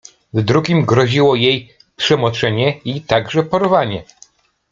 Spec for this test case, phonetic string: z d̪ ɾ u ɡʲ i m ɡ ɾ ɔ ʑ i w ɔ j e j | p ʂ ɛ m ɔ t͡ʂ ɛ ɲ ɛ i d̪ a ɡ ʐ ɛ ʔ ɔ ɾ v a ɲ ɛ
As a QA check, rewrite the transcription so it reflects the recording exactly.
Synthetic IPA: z d̪ ɾ u ɡʲ i m ɡ ɾ ɔ ʑ i w ɔ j e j | p ʂ ɛ m ɔ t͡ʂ ɛ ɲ ɛ i t̪ a ɡ ʐ ɛ p ɔ ɾ v a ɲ ɛ